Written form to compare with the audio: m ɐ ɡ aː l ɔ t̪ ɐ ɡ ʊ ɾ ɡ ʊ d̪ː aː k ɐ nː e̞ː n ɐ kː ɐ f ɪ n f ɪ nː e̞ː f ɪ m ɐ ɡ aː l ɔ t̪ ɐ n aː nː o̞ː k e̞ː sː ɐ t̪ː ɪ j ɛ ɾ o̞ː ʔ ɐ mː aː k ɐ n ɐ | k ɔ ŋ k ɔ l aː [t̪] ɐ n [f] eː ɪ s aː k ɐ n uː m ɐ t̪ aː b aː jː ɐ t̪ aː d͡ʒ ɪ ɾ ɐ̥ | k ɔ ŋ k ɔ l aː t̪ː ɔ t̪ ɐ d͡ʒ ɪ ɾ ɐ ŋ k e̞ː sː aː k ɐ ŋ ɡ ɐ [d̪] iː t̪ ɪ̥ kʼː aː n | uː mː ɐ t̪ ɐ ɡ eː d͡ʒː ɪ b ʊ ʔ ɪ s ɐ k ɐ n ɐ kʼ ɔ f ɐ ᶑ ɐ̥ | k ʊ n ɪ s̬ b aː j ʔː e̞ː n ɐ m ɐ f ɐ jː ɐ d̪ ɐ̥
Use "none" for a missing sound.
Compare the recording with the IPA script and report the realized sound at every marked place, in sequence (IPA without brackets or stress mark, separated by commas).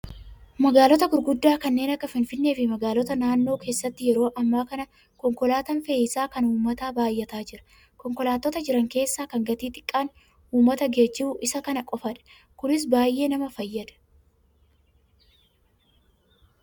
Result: t̪, f, t̪